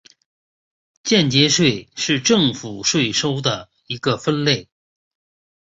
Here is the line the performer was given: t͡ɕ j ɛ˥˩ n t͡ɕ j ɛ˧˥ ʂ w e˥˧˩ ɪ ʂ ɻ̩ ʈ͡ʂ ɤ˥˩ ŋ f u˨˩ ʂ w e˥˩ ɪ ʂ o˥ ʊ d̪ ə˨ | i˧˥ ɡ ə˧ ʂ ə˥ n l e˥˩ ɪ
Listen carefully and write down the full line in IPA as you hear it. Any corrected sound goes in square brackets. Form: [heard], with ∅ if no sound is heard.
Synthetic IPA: t͡ɕ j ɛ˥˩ n t͡ɕ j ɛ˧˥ ʂ w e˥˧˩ ɪ ʂ ɻ̩ ʈ͡ʂ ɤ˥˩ ŋ f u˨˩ ʂ w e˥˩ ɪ ʂ o˥ ʊ d̪ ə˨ | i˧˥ ɡ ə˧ [f] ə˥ n l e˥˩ ɪ

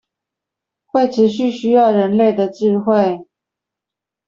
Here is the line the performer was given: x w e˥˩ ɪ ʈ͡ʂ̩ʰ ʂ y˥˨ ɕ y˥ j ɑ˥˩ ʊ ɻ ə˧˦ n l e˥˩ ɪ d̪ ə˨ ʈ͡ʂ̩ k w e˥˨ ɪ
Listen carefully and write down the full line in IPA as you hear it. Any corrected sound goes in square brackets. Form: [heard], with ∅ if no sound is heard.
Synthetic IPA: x w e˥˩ ɪ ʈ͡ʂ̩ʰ [ɕ] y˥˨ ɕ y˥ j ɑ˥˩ ʊ ɻ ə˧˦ n l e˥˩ ɪ d̪ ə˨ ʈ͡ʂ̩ [x] w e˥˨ ɪ

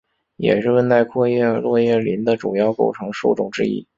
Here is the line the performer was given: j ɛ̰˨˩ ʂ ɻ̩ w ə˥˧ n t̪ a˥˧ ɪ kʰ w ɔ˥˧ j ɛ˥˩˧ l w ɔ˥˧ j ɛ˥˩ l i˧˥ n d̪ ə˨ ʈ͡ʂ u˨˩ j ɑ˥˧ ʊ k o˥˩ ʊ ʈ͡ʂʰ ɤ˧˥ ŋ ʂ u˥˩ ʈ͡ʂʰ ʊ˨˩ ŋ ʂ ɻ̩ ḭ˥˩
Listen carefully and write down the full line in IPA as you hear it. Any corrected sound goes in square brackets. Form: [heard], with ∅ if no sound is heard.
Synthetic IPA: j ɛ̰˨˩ ʂ ɻ̩ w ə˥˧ n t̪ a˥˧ ɪ kʰ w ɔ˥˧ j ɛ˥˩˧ l w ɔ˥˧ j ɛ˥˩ l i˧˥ n d̪ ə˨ ʈ͡ʂ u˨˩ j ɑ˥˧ ʊ k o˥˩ ʊ ʈ͡ʂʰ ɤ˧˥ ŋ ʂ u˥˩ [ʈ͡ʂ] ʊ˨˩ ŋ [ʈ͡ʂ] ɻ̩ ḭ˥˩

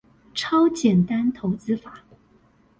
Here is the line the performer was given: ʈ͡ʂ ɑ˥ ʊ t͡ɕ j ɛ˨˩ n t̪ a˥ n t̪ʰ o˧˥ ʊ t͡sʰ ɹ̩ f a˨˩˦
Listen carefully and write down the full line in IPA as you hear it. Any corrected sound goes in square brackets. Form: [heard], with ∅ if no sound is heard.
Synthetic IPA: [ʈ͡ʂʰ] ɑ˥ ʊ t͡ɕ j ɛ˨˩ n t̪ a˥ n t̪ʰ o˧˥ ʊ [t͡s] ɹ̩ f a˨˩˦

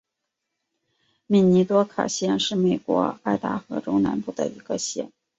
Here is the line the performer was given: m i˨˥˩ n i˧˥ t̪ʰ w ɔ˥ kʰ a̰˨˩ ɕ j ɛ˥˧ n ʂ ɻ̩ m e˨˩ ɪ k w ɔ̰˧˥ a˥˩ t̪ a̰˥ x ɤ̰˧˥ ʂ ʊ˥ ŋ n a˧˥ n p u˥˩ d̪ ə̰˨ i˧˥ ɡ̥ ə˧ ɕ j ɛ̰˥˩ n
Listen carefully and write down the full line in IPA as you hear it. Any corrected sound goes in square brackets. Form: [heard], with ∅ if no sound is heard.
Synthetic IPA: m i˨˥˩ n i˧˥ [t̪] w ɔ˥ kʰ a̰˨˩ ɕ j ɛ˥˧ n ʂ ɻ̩ m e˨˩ ɪ k w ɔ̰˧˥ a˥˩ t̪ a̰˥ x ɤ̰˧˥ [ʈ͡ʂ] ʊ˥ ŋ n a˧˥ n p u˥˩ d̪ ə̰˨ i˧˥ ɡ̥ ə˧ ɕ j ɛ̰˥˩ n

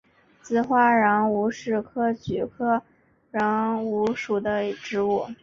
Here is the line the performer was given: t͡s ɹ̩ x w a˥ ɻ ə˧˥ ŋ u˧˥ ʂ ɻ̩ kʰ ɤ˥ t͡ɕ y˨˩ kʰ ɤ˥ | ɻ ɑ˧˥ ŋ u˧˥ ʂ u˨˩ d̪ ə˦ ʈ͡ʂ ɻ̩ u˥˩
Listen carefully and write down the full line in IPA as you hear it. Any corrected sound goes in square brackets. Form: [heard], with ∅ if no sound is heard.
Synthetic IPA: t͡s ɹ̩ x w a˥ ɻ [ɑ˧˥] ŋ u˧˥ ʂ ɻ̩ kʰ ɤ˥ t͡ɕ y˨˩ kʰ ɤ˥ | ɻ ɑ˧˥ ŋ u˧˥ ʂ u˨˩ d̪ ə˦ ʈ͡ʂ ɻ̩ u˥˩

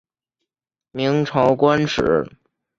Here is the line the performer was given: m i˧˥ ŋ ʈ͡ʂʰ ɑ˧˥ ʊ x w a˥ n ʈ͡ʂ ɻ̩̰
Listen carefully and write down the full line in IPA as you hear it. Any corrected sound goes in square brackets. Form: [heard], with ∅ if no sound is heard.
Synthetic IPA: m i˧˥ ŋ ʈ͡ʂʰ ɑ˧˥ ʊ [k] w a˥ n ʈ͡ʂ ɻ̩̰

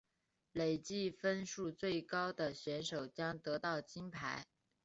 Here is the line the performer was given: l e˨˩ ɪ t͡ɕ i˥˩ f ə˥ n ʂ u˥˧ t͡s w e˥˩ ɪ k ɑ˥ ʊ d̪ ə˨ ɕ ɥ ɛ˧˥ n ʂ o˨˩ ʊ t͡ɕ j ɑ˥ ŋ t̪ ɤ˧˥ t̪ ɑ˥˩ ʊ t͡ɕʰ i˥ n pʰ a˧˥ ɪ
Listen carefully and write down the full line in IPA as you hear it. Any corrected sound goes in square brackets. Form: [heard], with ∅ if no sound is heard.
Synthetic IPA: l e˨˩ ɪ t͡ɕ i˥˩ f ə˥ n ʂ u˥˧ t͡s w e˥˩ ɪ k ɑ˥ ʊ d̪ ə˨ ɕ ɥ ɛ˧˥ n ʂ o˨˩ ʊ t͡ɕ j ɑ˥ ŋ t̪ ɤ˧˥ t̪ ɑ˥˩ ʊ [t͡ɕ] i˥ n pʰ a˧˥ ɪ

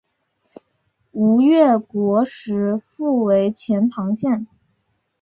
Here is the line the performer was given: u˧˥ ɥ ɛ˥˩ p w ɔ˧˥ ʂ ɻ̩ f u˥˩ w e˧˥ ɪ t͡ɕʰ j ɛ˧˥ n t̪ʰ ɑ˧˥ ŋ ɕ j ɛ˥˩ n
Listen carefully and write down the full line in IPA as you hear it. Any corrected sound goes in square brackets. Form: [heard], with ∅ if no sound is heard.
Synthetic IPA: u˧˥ ɥ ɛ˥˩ [k] w ɔ˧˥ ʂ ɻ̩ f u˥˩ w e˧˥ ɪ t͡ɕʰ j ɛ˧˥ n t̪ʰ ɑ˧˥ ŋ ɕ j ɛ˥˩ n

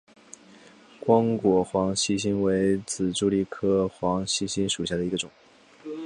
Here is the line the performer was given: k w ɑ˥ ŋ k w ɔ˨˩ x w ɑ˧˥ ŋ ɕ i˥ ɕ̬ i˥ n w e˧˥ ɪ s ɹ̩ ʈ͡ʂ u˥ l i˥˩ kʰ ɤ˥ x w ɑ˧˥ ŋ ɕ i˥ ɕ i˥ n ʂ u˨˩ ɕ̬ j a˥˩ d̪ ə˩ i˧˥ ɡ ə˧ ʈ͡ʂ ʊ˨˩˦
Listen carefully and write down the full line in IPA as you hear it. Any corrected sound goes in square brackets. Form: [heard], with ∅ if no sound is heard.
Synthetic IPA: k w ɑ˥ ŋ k w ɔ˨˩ x w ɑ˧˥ ŋ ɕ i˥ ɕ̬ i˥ n w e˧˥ ɪ [t͡s] ɹ̩ ʈ͡ʂ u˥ l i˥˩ kʰ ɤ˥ x w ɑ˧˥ ŋ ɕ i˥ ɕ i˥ n ʂ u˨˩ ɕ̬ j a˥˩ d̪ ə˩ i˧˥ ɡ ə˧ ʈ͡ʂ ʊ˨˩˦

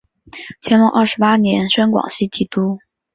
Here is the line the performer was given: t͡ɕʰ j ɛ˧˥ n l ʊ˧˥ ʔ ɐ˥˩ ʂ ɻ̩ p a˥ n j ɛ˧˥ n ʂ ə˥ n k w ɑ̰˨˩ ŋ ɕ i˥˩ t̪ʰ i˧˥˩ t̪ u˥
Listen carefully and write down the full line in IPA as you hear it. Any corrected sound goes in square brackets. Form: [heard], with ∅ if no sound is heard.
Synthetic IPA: t͡ɕʰ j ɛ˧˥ n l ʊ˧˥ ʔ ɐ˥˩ ʂ ɻ̩ p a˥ n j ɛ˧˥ n ʂ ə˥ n k w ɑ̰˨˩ ŋ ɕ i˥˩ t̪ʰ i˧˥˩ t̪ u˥

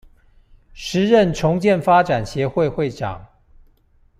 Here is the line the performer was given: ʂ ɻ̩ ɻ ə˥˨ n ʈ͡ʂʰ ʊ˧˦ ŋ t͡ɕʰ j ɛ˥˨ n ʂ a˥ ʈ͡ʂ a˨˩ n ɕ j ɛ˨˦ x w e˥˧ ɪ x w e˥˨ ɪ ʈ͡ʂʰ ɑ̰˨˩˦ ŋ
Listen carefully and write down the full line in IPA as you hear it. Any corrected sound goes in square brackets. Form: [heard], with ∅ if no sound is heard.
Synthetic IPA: ʂ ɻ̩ ɻ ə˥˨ n ʈ͡ʂʰ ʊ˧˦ ŋ [t͡ɕ] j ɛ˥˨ n [f] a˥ ʈ͡ʂ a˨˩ n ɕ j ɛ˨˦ x w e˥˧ ɪ x w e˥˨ ɪ [ʈ͡ʂ] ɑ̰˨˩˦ ŋ

